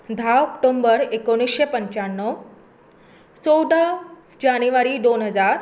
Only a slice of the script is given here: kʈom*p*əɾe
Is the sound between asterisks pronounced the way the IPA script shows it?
no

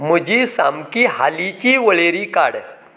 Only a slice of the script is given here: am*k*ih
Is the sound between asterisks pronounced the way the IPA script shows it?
yes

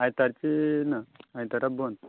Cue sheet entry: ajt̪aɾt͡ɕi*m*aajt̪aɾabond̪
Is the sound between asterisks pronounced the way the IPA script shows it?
no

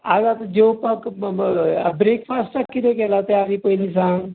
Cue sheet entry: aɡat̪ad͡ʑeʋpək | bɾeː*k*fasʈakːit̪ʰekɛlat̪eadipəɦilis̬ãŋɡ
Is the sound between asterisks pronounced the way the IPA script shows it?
yes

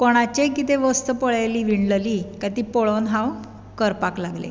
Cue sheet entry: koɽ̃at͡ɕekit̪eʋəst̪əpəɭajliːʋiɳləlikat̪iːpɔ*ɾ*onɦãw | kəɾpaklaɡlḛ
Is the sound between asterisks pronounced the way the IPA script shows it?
no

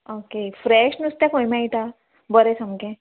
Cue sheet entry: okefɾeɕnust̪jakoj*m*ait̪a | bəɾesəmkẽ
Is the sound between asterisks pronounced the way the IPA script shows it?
yes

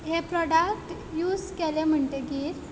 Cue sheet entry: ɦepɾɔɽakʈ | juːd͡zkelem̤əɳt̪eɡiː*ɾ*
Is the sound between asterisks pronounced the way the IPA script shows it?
yes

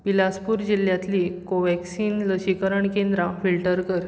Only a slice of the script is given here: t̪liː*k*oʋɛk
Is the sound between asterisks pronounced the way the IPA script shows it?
yes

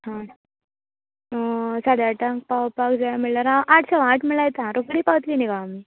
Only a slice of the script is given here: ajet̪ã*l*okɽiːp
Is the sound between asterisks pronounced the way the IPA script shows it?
no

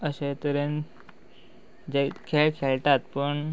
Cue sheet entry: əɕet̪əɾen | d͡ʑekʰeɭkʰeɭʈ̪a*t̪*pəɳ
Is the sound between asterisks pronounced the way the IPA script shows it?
yes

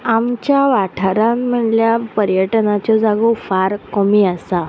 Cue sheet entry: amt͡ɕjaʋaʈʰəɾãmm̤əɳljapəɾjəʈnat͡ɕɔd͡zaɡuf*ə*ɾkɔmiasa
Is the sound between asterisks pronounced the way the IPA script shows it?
no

